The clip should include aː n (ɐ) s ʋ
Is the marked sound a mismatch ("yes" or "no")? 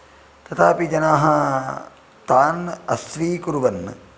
no